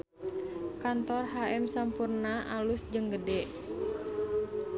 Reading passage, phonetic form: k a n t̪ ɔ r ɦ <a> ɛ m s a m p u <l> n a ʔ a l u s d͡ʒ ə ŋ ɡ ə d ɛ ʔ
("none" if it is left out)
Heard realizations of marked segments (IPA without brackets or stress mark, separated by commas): a, r